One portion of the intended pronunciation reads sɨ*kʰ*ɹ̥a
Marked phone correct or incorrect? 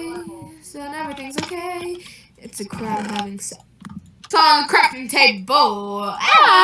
correct